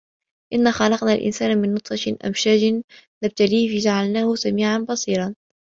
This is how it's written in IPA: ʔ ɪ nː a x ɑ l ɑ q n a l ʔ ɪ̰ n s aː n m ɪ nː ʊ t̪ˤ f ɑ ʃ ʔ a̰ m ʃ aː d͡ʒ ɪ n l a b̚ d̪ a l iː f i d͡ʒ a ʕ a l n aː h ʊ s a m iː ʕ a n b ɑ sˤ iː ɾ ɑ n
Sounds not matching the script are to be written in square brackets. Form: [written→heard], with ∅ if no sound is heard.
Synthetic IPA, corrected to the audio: ʔ ɪ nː a x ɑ l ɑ q n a l ʔ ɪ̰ n s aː n m ɪ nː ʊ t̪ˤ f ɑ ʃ ʔ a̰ m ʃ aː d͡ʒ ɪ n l a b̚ [d̪→t̪] a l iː f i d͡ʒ a ʕ a l n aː h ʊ s a m iː ʕ a n b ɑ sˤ iː ɾ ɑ n